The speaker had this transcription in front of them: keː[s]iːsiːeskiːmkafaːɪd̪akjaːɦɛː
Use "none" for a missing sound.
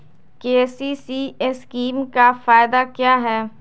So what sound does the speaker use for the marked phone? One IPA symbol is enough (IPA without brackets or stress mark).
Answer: s